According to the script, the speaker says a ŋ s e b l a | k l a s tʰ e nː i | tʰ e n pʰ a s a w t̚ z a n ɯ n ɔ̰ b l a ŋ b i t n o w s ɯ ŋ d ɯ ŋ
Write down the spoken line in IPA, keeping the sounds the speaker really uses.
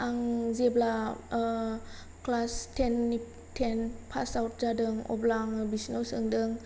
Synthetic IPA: a ŋ z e b l a | k l a s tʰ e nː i | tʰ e n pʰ a s a w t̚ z a d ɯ ŋ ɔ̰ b l a ŋ b i s n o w s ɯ ŋ d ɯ ŋ